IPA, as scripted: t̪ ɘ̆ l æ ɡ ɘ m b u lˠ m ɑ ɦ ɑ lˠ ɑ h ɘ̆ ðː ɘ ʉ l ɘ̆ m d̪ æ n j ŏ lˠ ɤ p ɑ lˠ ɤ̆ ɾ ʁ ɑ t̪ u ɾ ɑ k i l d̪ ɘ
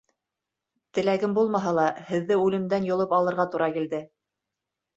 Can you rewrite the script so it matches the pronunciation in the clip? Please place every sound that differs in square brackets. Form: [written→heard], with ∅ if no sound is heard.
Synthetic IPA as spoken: t̪ ɘ̆ l æ ɡ ɘ m b u lˠ m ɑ ɦ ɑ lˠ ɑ h ɘ̆ ðː ɘ ʉ l ɘ̆ m d̪ æ n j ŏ lˠ ɤ p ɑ lˠ ɤ̆ ɾ ʁ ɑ t̪ u ɾ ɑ k i l d̪ ɘ